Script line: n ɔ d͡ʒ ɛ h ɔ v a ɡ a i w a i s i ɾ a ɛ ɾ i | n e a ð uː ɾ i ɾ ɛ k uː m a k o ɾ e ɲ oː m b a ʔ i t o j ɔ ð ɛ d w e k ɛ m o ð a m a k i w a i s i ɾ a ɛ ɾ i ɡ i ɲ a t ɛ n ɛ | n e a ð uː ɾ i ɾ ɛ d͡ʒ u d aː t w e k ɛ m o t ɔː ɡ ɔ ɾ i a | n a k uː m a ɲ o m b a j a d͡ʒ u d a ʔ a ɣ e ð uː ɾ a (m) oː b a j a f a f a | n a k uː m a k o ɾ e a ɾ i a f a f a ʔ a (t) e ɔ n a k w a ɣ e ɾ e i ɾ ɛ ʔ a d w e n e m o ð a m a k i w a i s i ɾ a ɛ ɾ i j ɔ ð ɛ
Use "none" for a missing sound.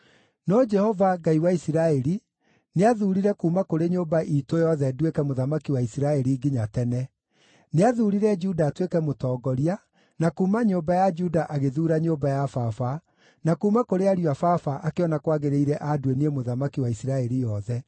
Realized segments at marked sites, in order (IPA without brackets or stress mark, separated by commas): ɲ, k